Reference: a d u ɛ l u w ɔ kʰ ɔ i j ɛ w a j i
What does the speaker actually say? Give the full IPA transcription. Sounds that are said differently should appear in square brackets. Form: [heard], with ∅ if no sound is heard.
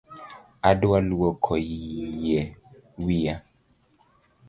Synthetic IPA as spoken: a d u [a] l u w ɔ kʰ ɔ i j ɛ w [i] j [a]